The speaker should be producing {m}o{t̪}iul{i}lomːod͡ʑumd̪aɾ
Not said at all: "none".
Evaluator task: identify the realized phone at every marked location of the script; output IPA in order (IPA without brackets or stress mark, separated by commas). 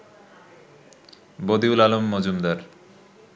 b, d̪, a